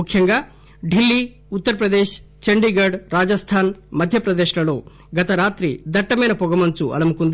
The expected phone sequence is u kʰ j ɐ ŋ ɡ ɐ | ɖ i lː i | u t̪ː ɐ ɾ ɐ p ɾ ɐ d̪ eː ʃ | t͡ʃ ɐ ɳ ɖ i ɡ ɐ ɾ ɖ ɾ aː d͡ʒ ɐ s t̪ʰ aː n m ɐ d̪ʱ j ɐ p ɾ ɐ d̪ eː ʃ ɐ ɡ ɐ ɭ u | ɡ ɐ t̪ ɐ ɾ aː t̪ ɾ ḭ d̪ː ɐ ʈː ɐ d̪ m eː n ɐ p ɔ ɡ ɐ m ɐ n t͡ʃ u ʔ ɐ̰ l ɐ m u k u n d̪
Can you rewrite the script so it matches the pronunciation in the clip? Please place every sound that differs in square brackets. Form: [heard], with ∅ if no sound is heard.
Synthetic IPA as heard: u kʰ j ɐ ŋ ɡ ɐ | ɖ i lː i | u t̪ː ɐ ɾ ɐ p ɾ ɐ d̪ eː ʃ | t͡ʃ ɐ ɳ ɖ i ɡ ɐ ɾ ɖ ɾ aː d͡ʒ ɐ s t̪ʰ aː n m ɐ d̪ʱ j ɐ p ɾ ɐ d̪ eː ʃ ɐ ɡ ɐ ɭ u | ɡ ɐ t̪ ɐ ɾ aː t̪ ɾ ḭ [d̪] ɐ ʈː ɐ [∅] m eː n ɐ p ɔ ɡ ɐ m ɐ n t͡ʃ u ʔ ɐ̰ l ɐ m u k u n d̪